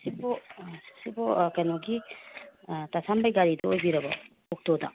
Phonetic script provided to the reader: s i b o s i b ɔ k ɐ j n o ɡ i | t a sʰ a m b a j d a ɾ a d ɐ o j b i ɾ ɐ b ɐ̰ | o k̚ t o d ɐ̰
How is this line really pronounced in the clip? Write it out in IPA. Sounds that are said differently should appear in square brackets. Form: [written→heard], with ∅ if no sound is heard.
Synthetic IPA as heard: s i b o s i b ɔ k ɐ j n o ɡ i | t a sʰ a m b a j [d→ɡ] a ɾ [a→i] d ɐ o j b i ɾ ɐ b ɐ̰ | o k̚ t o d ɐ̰